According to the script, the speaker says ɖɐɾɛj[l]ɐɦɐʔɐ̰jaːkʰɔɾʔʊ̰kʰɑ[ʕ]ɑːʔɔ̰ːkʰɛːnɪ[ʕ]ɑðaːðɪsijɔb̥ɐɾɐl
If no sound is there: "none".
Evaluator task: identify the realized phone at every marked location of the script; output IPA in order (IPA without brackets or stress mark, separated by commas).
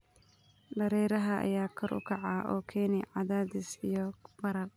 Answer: ɾ, ʕ, ʕ